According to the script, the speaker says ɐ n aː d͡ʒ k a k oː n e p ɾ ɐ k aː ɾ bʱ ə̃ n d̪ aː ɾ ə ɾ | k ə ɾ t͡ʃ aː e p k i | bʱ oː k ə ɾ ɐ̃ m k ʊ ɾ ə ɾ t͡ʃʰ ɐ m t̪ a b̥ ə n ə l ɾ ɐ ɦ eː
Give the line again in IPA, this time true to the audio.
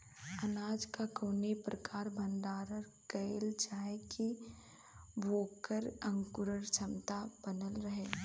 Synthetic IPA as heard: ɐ n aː d͡ʒ k a k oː n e p ɾ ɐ k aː ɾ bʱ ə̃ n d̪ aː ɾ ə ɾ | k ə l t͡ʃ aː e k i | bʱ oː k ə ɾ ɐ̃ ŋ k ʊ ɾ ə ɾ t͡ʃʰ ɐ m t̪ a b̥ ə n ə l ɾ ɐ ɦ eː